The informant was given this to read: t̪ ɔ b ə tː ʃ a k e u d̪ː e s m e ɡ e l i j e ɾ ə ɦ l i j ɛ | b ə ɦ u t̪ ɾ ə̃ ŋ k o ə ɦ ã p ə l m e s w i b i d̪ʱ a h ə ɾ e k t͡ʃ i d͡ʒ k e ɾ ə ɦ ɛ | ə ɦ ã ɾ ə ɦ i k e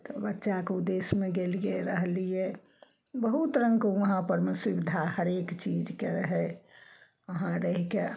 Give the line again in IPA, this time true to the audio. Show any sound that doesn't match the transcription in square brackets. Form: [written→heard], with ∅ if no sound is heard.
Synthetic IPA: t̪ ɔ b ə tː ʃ a k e u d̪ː e s m e ɡ e l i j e ɾ ə ɦ l i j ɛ | b ə ɦ u t̪ ɾ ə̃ ŋ k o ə ɦ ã p ə [l→ɾ] m e s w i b i d̪ʱ a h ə ɾ e k t͡ʃ i d͡ʒ k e ɾ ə ɦ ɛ | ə ɦ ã ɾ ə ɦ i k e